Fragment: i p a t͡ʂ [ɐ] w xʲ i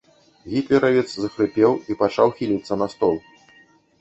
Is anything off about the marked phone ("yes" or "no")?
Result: yes